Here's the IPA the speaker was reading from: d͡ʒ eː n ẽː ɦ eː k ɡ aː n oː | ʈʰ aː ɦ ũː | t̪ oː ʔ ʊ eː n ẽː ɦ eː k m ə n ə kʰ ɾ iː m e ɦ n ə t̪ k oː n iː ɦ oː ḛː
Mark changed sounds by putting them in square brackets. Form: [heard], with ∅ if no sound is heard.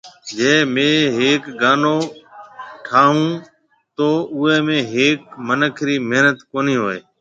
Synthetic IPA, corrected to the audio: d͡ʒ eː [m] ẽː ɦ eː k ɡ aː n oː | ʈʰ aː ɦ ũː | t̪ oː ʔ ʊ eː [m] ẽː ɦ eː k m ə n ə kʰ ɾ iː m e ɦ n ə t̪ k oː n iː ɦ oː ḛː